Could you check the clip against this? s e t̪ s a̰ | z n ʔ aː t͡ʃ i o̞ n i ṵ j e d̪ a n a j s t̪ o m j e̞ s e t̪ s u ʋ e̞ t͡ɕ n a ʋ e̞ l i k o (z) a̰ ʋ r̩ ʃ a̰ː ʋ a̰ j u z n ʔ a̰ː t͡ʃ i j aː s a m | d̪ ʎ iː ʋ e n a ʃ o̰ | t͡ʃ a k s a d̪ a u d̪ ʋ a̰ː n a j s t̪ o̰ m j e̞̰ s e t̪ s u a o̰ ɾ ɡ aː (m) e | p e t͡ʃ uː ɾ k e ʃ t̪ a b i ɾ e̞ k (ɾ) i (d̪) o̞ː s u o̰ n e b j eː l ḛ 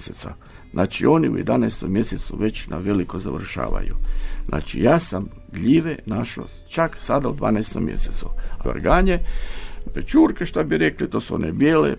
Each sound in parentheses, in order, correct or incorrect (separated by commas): correct, incorrect, incorrect, incorrect